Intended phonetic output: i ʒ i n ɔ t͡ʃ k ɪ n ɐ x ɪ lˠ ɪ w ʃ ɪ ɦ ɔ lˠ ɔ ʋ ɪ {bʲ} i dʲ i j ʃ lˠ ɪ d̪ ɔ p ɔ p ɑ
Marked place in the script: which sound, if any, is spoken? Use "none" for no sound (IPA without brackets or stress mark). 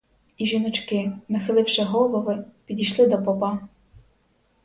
pʲ